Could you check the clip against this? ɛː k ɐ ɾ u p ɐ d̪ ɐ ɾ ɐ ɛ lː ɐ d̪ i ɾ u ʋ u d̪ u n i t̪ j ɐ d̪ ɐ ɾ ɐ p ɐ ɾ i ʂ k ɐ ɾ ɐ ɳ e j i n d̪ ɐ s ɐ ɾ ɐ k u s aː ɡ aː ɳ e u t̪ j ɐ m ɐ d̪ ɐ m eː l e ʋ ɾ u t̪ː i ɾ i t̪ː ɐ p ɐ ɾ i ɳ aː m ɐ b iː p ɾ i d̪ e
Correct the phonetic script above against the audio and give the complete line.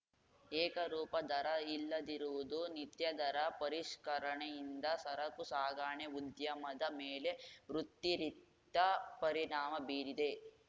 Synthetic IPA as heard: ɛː k ɐ ɾ uː p ɐ d̪ ɐ ɾ ɐ i lː ɐ d̪ i ɾ u ʋ u d̪ u n i t̪ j ɐ d̪ ɐ ɾ ɐ p ɐ ɾ i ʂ k ɐ ɾ ɐ ɳ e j i n d̪ ɐ s ɐ ɾ ɐ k u s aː ɡ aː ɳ e u d̪ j ɐ m ɐ d̪ ɐ m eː l e ʋ ɾ u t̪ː i ɾ i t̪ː ɐ p ɐ ɾ i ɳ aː m ɐ b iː ɾ i d̪ e